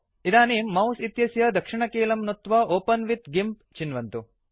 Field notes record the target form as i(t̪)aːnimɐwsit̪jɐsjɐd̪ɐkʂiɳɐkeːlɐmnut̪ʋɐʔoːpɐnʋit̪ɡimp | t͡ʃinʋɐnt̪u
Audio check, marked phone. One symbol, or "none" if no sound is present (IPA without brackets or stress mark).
d̪